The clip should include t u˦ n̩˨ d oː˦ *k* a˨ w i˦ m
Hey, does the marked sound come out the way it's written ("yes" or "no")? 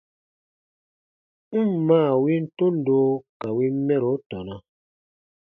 yes